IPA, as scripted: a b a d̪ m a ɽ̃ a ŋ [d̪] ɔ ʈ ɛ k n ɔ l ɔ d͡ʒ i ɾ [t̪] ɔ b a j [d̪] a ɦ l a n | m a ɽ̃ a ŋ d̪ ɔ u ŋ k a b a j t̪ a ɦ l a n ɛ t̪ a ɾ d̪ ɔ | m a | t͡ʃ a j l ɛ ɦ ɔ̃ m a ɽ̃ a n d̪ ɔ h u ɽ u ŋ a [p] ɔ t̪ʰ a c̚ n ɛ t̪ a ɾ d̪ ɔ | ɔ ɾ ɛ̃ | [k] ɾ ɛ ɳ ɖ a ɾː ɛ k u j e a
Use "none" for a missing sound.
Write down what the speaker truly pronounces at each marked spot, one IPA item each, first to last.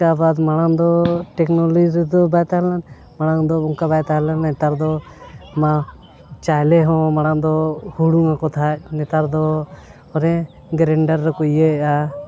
d̪, d̪, t̪, k, ɡ

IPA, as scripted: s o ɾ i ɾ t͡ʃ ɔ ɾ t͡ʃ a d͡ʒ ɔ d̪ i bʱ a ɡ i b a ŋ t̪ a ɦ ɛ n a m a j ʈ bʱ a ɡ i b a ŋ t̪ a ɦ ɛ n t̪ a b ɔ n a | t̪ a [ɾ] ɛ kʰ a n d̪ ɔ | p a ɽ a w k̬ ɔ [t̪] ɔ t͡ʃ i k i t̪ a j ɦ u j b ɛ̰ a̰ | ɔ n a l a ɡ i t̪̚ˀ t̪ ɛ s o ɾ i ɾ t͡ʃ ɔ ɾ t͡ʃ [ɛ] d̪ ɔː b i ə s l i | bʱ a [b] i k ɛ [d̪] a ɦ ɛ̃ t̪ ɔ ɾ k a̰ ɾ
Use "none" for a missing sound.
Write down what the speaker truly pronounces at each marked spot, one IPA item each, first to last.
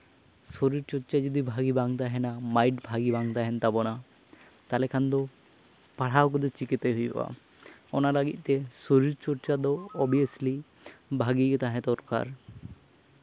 l, d̪, a, ɡ, t̪

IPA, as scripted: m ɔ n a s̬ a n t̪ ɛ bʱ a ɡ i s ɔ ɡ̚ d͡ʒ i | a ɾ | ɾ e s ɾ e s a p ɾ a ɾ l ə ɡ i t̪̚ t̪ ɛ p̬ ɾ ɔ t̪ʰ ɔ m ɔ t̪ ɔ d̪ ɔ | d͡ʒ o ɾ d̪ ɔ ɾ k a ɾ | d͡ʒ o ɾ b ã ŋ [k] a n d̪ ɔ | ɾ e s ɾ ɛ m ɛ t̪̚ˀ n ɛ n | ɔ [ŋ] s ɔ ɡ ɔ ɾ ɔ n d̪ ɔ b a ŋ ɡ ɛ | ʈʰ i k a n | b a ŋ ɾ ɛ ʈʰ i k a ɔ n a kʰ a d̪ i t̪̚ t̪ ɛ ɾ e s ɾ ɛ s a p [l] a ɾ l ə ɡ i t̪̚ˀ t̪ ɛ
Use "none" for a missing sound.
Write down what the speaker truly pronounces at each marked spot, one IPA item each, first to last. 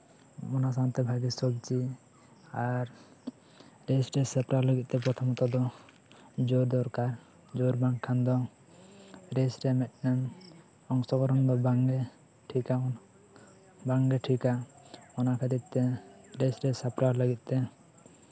kʰ, ŋ, ɾ

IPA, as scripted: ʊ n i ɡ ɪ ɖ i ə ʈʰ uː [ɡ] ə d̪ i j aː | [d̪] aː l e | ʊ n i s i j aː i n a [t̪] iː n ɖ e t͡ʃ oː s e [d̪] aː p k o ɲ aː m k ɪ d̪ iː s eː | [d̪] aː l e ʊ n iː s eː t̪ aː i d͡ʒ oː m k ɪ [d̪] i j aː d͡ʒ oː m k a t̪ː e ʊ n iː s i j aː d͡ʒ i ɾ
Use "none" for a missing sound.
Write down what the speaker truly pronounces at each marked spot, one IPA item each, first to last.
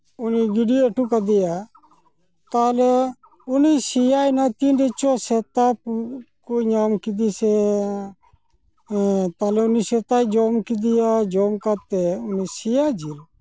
k, t̪, t̪, t̪, t̪, d̪

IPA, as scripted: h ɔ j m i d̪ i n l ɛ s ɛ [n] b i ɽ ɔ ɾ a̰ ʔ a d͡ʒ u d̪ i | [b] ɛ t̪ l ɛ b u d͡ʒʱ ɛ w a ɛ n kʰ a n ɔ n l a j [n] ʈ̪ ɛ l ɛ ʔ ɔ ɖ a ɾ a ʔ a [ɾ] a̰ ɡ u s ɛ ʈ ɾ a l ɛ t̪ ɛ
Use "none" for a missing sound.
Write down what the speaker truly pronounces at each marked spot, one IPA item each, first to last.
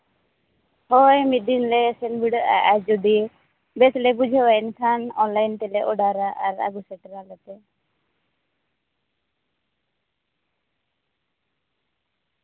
n, b, n, ɾ

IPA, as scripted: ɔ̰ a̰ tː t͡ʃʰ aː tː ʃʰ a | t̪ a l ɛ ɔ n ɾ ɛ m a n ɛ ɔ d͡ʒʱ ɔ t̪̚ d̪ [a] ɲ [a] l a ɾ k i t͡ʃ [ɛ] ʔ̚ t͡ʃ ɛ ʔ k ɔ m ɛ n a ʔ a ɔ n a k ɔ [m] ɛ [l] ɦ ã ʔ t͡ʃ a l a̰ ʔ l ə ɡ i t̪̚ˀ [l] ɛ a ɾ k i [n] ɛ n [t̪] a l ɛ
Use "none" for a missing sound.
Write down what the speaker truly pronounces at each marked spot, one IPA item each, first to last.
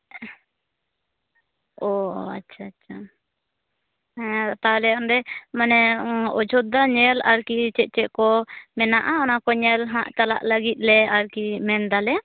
a, ɛ, ɛ, ɲ, l, l, m, d̪

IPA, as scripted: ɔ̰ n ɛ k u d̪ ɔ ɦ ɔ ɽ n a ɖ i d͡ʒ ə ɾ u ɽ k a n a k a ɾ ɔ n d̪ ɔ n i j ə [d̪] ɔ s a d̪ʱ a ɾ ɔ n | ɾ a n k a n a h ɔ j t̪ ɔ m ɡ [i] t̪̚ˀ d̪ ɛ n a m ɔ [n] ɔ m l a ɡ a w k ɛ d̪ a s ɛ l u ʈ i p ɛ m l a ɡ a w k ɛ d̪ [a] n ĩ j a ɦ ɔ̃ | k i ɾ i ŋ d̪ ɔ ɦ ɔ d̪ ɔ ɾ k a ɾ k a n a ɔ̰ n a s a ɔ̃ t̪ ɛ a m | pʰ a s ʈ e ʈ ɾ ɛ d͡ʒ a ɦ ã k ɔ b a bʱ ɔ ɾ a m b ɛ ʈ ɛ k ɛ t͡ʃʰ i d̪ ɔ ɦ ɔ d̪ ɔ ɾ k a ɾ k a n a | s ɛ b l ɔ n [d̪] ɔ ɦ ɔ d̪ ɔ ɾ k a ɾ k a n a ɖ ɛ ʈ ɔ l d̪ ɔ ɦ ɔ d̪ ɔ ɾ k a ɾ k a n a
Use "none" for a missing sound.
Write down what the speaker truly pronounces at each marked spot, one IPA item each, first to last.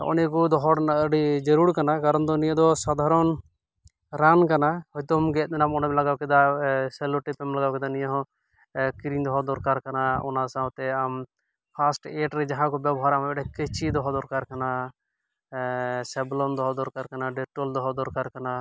d̪, ɛ, n, a, d̪

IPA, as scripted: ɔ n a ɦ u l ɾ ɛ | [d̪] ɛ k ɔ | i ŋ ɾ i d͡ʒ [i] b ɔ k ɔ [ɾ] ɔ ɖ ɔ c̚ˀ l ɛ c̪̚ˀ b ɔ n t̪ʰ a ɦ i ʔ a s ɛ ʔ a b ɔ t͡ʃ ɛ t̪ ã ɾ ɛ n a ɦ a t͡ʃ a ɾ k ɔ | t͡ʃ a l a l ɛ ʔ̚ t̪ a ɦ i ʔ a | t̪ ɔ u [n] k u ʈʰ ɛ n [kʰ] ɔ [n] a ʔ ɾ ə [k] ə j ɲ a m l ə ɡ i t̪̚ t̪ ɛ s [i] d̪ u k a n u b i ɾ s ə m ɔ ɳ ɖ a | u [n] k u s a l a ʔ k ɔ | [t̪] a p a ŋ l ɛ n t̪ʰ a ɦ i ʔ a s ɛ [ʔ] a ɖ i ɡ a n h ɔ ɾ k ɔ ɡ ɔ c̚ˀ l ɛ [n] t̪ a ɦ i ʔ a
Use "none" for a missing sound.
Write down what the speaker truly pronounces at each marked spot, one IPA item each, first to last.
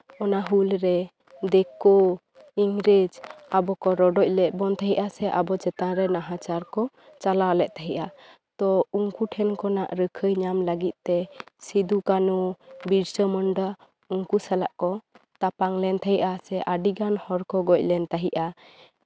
d̪, a, ɾ, ŋ, k, n, kʰ, i, ŋ, t̪, ʔ, n

